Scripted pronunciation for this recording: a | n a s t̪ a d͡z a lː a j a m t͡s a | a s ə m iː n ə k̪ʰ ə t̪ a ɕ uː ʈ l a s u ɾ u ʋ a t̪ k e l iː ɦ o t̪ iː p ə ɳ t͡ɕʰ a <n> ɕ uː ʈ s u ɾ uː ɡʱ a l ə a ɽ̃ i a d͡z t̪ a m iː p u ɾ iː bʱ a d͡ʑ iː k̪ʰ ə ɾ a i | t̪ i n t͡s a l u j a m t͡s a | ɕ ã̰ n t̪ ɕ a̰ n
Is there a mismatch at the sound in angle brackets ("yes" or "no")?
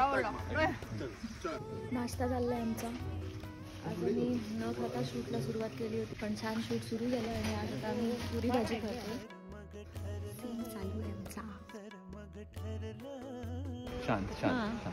no